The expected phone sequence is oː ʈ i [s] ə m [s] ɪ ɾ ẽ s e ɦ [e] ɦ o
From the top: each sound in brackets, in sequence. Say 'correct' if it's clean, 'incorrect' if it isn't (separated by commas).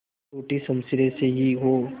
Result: correct, correct, incorrect